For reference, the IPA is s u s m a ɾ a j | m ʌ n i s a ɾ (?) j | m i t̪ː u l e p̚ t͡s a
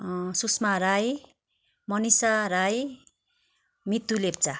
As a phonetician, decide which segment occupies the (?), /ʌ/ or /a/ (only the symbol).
a